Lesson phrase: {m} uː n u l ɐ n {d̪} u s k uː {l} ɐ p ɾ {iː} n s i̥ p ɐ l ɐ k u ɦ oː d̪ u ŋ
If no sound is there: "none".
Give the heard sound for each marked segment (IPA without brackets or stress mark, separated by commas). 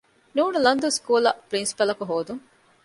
n, d̪, l, i